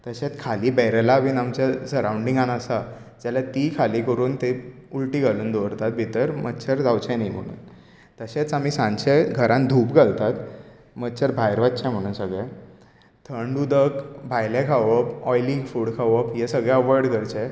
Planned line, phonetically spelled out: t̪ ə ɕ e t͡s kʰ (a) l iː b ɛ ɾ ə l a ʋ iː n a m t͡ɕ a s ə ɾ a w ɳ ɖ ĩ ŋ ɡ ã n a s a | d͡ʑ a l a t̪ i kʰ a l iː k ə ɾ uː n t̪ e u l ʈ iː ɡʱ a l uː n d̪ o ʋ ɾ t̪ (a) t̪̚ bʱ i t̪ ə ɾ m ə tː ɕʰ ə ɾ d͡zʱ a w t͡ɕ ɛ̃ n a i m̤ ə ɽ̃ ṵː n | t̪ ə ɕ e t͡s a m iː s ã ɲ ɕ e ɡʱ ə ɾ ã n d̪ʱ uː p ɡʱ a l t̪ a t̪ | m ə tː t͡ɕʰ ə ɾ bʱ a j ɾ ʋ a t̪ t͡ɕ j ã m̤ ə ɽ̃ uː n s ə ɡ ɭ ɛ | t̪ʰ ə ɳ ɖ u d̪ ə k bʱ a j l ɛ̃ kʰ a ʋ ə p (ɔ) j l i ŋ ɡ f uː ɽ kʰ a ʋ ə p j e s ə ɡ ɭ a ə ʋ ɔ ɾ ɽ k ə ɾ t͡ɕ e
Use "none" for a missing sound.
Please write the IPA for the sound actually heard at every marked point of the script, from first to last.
a, a, ɔ

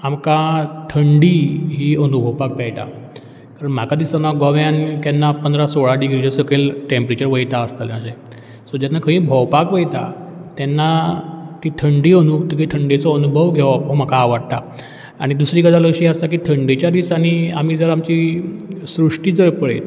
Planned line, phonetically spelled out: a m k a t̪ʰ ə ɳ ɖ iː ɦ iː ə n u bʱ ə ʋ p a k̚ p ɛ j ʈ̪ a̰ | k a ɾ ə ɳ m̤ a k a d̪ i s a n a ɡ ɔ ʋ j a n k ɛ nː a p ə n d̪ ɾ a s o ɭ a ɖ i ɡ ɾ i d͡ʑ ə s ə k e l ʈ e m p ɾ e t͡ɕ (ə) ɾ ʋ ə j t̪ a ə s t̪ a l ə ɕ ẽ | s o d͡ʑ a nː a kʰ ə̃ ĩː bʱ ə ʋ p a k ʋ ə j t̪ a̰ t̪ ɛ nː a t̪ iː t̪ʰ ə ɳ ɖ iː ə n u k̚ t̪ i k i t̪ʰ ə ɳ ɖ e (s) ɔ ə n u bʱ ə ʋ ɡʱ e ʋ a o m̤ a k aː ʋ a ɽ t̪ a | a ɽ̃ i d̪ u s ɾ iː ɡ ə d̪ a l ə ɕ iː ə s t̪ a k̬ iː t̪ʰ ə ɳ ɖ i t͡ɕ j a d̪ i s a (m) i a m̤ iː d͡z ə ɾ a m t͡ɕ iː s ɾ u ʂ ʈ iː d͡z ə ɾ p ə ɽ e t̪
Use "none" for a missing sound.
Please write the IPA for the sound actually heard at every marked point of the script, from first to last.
ə, t͡s, n

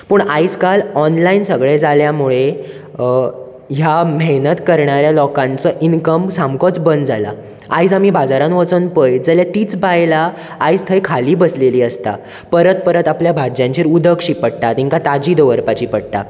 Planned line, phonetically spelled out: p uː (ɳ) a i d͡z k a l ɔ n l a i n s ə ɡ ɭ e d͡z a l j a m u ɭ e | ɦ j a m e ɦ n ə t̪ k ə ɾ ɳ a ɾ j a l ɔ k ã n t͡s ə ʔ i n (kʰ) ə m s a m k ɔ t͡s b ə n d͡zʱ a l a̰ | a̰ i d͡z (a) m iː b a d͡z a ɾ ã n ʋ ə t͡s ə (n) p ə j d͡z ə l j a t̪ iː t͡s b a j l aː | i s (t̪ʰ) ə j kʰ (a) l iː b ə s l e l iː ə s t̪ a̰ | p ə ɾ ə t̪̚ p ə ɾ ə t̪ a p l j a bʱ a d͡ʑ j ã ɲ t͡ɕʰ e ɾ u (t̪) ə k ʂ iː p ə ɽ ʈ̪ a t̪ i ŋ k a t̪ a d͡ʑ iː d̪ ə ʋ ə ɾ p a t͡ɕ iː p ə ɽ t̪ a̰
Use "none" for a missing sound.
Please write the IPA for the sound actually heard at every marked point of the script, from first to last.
ɳ, k, a, n, t̪ʰ, a, d̪

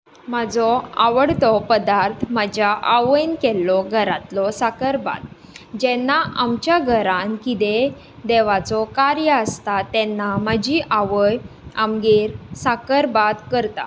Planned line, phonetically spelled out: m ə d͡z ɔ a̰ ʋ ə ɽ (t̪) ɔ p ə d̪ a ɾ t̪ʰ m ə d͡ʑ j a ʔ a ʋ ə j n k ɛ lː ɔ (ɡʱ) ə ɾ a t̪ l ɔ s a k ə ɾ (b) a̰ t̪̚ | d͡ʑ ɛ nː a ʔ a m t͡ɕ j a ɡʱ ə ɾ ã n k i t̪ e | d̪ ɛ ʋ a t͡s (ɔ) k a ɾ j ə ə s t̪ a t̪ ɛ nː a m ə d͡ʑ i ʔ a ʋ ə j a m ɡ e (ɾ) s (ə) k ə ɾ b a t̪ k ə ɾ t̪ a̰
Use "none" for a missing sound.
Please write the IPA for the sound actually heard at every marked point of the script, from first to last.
t̪, ɡʱ, b, ɔ, ɾ, a

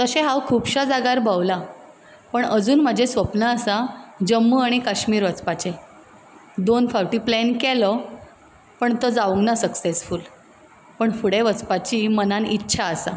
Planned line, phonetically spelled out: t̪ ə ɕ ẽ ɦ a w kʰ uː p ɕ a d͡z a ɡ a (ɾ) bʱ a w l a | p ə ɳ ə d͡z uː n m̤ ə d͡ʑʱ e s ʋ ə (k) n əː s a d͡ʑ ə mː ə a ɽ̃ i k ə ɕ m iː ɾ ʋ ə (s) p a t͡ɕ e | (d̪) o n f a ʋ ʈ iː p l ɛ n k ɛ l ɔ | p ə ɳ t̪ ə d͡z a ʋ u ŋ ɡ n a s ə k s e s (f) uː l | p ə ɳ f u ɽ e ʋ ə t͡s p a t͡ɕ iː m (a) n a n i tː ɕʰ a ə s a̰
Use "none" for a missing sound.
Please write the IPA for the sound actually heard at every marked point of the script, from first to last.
ɾ, p, t͡s, d̪, f, ə

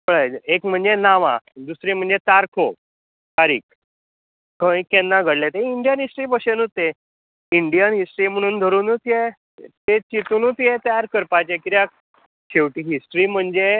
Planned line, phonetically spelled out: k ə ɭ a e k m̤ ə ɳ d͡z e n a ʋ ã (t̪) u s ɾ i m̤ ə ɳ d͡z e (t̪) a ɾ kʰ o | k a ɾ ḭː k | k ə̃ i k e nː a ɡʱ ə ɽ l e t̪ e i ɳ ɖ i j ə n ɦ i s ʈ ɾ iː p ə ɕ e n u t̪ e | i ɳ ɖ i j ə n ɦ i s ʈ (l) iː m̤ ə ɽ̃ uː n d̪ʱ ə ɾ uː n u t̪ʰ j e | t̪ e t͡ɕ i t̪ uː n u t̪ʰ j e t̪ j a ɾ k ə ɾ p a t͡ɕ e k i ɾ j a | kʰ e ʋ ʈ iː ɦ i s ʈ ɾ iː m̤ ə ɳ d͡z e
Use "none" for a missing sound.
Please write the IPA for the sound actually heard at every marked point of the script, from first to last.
d̪, t̪, ɾ

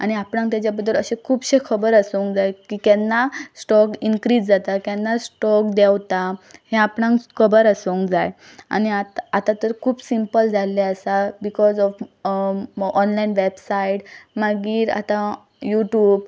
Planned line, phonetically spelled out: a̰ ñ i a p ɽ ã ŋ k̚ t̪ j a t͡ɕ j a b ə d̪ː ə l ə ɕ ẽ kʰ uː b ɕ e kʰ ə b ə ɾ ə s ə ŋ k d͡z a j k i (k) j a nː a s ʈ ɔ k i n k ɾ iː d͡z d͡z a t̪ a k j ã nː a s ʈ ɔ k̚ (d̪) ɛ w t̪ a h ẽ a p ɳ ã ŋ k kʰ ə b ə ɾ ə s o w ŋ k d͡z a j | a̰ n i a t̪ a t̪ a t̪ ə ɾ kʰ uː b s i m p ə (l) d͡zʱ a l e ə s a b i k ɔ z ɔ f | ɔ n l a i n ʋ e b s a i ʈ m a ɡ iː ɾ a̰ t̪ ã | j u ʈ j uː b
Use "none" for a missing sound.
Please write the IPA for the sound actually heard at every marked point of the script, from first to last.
k, d̪, l

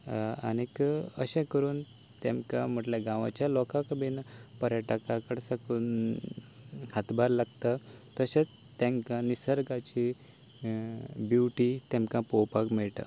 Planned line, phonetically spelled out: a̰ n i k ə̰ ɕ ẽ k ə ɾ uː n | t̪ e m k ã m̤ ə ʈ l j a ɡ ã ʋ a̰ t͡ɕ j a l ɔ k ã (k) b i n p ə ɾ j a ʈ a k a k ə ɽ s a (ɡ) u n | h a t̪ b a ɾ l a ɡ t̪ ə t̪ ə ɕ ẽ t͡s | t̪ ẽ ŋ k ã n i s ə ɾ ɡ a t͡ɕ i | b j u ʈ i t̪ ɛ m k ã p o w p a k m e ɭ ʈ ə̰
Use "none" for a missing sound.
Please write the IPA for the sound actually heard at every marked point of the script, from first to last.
k, k

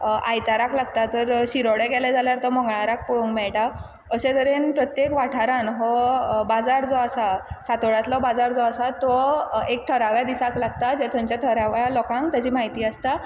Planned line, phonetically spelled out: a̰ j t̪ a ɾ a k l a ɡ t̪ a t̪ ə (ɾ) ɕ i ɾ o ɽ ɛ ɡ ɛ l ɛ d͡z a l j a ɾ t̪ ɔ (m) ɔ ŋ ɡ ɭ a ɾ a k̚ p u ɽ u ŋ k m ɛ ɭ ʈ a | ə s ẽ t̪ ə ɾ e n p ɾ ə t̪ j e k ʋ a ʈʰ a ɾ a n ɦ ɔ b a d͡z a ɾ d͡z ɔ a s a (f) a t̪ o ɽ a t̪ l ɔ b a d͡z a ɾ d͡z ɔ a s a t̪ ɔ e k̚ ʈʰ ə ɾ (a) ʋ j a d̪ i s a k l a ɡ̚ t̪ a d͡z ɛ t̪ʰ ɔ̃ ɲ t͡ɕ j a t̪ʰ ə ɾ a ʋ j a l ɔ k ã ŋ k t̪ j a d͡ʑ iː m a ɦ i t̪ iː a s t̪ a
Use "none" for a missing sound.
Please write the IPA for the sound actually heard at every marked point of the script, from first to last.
ɾ, m, s, a

